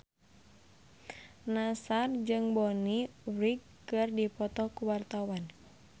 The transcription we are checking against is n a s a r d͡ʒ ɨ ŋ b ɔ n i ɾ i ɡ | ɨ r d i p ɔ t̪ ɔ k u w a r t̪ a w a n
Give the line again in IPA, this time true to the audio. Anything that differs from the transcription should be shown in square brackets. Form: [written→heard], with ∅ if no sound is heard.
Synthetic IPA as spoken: n a s a r d͡ʒ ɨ ŋ b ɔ n i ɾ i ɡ | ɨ r d i p ɔ t̪ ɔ k u w a r t̪ a w a n